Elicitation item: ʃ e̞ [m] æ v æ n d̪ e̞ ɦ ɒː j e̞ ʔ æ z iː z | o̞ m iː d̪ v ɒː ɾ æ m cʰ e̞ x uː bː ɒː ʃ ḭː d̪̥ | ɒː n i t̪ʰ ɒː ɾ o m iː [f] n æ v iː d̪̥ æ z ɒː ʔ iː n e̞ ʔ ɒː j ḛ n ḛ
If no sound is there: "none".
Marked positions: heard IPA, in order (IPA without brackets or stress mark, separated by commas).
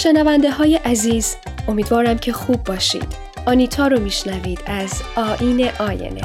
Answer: n, ʃ